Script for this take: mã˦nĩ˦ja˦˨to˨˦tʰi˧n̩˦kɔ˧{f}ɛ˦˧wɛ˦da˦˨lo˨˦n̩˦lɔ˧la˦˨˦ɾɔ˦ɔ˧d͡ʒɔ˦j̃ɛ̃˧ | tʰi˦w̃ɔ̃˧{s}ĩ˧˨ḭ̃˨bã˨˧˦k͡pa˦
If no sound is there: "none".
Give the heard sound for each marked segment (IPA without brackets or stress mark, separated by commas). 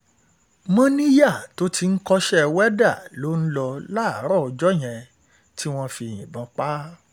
ʃ, f